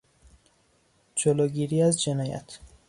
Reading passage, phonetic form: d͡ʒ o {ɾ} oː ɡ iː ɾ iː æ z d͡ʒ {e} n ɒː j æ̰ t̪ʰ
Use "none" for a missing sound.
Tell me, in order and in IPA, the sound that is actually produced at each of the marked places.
l, e

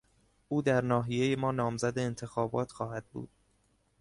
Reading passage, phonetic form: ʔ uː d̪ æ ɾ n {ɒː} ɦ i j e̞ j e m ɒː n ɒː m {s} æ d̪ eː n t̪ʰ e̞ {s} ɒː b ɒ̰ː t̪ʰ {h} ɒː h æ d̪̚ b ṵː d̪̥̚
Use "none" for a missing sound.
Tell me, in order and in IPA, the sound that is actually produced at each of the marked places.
ɒː, z, x, x

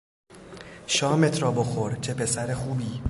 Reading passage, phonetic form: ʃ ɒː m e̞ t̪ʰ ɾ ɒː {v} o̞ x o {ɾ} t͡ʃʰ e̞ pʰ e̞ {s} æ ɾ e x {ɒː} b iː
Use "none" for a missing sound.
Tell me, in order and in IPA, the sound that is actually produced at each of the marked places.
b, ɾ, s, uː

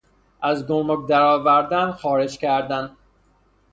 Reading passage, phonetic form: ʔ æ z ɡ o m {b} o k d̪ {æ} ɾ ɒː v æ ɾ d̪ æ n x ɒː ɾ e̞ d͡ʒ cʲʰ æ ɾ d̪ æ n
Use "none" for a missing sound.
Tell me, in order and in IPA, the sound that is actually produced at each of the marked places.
m, æ

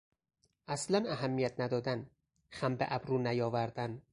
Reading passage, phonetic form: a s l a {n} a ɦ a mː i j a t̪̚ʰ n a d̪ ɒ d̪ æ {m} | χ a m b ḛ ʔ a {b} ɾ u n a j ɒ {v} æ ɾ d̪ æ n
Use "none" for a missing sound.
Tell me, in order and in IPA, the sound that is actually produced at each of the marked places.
n, n, b, v

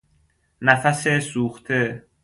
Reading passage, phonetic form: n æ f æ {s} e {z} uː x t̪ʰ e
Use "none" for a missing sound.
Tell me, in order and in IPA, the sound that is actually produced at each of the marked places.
s, s

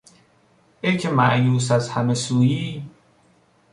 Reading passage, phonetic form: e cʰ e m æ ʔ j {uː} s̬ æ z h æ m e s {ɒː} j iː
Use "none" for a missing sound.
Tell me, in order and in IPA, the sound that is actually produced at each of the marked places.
uː, uː

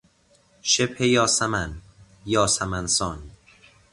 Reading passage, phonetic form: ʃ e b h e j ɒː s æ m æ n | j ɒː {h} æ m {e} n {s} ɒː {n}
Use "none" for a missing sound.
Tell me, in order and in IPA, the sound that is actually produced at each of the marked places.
s, æ, s, n

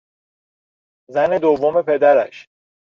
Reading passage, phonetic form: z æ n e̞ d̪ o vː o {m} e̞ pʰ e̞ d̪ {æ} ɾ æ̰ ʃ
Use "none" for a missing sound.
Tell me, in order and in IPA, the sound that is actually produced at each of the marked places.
m, æ

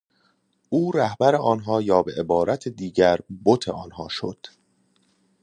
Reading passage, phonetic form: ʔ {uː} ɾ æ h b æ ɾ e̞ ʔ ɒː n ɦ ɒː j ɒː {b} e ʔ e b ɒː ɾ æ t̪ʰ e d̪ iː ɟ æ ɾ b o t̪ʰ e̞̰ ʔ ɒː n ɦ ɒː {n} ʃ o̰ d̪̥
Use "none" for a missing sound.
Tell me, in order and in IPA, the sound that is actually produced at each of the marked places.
uː, b, none

